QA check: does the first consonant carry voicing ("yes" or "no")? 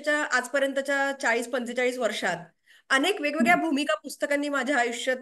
no